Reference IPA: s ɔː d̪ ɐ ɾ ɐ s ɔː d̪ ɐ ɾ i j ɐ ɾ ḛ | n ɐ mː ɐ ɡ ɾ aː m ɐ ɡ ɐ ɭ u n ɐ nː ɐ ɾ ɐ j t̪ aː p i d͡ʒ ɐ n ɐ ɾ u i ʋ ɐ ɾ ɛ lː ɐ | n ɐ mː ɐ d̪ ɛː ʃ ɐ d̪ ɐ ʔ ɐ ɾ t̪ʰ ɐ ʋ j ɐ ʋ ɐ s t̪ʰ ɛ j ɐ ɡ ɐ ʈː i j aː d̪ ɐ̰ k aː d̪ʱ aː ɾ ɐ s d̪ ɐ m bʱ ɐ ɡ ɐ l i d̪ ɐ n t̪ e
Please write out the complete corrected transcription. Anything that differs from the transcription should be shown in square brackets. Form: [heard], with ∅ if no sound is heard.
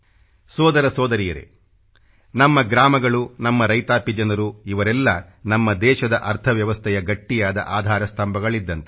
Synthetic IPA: s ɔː d̪ ɐ ɾ ɐ s ɔː d̪ ɐ ɾ i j ɐ ɾ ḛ | n ɐ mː ɐ ɡ ɾ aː m ɐ ɡ ɐ ɭ u n ɐ [mː] ɐ ɾ ɐ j t̪ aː p i d͡ʒ ɐ n ɐ ɾ u i ʋ ɐ ɾ ɛ lː ɐ | n ɐ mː ɐ d̪ ɛː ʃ ɐ d̪ ɐ ʔ ɐ ɾ t̪ʰ ɐ ʋ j ɐ ʋ ɐ s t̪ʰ ɛ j ɐ ɡ ɐ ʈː i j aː d̪ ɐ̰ [ʔ] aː d̪ʱ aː ɾ ɐ s [t̪] ɐ m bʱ ɐ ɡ ɐ [ɭ] i [d̪ː] ɐ n t̪ e

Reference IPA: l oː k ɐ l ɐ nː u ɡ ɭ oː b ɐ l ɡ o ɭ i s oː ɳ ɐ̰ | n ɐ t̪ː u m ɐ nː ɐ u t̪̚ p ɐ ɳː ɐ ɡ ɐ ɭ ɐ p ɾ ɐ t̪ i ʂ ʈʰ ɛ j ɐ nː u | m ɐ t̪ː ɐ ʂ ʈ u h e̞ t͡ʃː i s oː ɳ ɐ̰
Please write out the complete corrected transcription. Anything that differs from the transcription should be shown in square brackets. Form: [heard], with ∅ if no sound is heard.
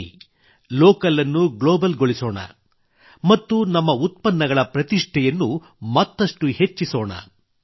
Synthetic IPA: l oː k ɐ l ɐ nː u ɡ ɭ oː b ɐ l ɡ o ɭ i s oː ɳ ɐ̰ | [m] ɐ t̪ː u [n] ɐ [mː] ɐ u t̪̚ p ɐ [nː] ɐ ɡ ɐ ɭ ɐ p ɾ ɐ t̪ i ʂ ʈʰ ɛ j ɐ nː u | m ɐ t̪ː ɐ ʂ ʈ u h e̞ t͡ʃː i s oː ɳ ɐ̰

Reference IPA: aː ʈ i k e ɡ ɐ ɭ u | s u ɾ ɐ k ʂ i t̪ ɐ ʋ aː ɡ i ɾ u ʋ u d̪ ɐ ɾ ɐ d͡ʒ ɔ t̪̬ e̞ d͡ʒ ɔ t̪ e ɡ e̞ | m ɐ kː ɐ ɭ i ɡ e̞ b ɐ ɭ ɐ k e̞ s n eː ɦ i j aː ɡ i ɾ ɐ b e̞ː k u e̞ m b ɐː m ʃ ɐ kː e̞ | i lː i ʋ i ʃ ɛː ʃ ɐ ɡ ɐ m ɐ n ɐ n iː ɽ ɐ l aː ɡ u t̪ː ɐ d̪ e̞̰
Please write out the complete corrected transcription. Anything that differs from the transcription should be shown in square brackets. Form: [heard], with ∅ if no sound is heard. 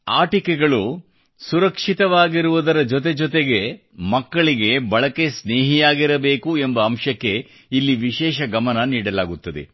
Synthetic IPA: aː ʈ i k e ɡ ɐ ɭ u | s u ɾ ɐ k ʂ i t̪ ɐ ʋ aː ɡ i ɾ u ʋ u d̪ ɐ ɾ ɐ d͡ʒ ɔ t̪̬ e̞ d͡ʒ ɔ t̪ e ɡ e̞ | m ɐ kː ɐ ɭ i ɡ e̞ b ɐ ɭ ɐ k e̞ s n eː ɦ i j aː ɡ i ɾ ɐ b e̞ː k u e̞ m b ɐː m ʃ ɐ kː e̞ | i lː i ʋ i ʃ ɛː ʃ ɐ ɡ ɐ m ɐ n ɐ n iː ɽ ɐ l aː ɡ u t̪ː ɐ d̪ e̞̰

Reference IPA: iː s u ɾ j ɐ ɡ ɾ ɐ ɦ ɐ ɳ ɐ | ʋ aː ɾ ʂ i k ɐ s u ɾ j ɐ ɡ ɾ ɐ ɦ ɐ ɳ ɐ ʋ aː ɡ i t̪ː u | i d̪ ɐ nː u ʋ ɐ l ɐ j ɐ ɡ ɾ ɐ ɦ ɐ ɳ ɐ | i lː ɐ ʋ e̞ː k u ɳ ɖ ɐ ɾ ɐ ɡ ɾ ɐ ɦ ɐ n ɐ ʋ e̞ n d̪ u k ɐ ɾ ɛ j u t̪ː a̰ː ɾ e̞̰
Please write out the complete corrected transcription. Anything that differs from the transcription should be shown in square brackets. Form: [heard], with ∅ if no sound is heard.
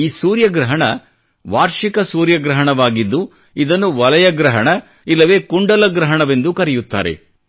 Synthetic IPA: iː s [uː] ɾ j ɐ ɡ ɾ ɐ ɦ ɐ ɳ ɐ | ʋ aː ɾ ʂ i k ɐ s [uː] ɾ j ɐ ɡ ɾ ɐ ɦ ɐ ɳ ɐ ʋ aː ɡ i [d̪ː] u | i d̪ ɐ nː u ʋ ɐ l ɐ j ɐ ɡ ɾ ɐ ɦ ɐ ɳ ɐ | i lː ɐ ʋ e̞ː k u ɳ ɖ ɐ [l] ɐ ɡ ɾ ɐ ɦ ɐ [ɳ] ɐ ʋ e̞ n d̪ u k ɐ ɾ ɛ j u t̪ː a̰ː ɾ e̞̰

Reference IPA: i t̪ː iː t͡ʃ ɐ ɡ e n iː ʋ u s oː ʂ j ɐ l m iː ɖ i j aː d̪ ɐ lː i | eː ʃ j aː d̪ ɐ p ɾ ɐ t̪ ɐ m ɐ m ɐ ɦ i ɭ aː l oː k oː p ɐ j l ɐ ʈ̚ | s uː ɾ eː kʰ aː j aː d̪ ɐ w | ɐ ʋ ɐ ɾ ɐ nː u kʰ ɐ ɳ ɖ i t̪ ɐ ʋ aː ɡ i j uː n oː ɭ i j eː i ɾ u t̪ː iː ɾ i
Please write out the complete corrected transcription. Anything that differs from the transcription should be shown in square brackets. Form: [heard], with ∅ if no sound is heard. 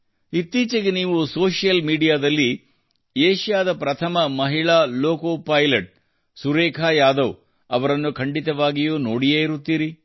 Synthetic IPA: i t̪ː iː t͡ʃ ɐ ɡ e n iː ʋ u s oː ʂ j ɐ l m iː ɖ i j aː d̪ ɐ lː i | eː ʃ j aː d̪ ɐ p ɾ ɐ [t̪ʰ] ɐ m ɐ m ɐ ɦ i ɭ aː l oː k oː p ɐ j l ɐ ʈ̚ | s [u] ɾ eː kʰ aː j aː d̪ ɐ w | ɐ ʋ ɐ ɾ ɐ nː u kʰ ɐ ɳ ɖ i t̪ ɐ ʋ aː ɡ i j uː n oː [ɽ] i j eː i ɾ u t̪ː iː ɾ i

